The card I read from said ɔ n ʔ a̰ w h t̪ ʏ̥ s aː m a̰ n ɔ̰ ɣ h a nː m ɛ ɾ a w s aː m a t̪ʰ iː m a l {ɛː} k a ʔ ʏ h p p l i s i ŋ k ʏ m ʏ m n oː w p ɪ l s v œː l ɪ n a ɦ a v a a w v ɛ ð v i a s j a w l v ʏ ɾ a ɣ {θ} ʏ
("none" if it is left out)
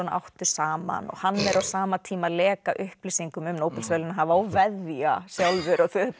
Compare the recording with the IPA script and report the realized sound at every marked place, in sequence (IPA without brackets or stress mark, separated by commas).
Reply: ɛː, θ